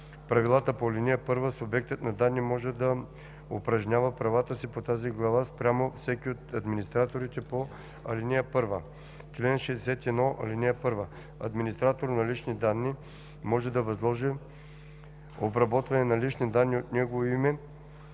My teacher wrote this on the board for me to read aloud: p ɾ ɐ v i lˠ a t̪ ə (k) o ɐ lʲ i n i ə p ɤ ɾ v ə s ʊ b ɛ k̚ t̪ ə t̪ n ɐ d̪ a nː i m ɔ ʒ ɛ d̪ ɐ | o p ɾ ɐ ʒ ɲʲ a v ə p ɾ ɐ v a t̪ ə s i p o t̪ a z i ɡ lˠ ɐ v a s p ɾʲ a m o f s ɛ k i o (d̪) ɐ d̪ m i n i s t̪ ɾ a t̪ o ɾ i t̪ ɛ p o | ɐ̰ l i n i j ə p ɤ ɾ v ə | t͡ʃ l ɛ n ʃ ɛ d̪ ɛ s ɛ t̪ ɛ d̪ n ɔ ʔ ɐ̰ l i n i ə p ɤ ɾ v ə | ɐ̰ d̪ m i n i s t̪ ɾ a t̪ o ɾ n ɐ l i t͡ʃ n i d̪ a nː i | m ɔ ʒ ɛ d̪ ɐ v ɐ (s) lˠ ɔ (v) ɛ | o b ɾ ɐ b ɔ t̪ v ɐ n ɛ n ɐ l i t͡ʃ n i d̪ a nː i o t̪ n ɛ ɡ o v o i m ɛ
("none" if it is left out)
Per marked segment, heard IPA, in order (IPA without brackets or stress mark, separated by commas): p, t̪, z, ʒ